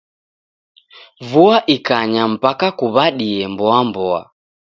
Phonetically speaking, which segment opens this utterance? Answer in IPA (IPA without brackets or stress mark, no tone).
v